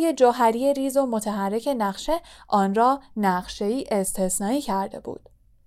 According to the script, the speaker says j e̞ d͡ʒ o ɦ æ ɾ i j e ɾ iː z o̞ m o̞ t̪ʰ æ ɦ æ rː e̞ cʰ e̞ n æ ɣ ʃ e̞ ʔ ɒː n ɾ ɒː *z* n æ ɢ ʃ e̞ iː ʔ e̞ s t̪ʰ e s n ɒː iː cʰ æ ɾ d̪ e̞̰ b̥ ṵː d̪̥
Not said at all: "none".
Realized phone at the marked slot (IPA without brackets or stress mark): none